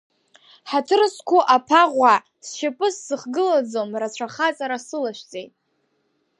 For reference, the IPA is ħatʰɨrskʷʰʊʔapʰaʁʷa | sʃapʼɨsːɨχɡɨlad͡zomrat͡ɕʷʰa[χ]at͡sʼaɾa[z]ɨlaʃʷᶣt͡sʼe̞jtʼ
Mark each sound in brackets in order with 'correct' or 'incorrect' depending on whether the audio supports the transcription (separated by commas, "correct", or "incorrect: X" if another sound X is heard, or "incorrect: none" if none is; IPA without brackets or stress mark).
correct, incorrect: s